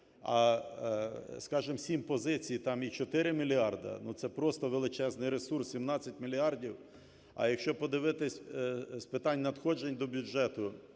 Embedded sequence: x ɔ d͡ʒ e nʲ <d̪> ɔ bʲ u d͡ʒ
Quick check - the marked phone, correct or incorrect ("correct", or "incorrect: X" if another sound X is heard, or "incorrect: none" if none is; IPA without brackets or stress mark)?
correct